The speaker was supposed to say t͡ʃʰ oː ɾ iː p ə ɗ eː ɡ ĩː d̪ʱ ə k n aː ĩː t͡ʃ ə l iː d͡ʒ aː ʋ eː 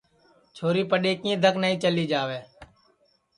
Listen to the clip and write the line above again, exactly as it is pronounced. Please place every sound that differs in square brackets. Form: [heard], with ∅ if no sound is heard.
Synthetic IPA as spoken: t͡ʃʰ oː ɾ iː p ə ɗ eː [k] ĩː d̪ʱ ə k n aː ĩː t͡ʃ ə l iː d͡ʒ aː ʋ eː